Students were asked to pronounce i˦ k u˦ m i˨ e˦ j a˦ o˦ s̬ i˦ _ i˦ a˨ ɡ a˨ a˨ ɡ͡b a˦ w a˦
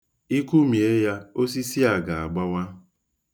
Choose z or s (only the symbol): s